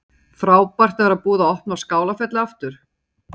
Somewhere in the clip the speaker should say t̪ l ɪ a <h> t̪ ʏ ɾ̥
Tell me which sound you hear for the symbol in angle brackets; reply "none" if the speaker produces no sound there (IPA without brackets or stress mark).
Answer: f